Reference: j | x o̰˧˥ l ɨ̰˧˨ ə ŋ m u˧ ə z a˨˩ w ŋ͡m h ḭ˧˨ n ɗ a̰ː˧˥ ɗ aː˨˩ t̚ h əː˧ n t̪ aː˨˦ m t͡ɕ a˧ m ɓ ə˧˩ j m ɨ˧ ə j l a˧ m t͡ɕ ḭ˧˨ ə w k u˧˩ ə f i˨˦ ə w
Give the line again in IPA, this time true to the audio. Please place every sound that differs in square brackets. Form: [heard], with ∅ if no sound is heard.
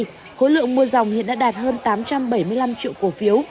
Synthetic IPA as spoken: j | x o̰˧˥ l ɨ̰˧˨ ə ŋ m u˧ ə z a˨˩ w ŋ͡m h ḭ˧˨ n ɗ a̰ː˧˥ ɗ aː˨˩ t̚ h əː˧ n t̪ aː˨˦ m t͡ɕ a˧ m ɓ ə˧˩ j m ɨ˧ ə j l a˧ m t͡ɕ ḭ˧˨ ə w k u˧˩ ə f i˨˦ ə w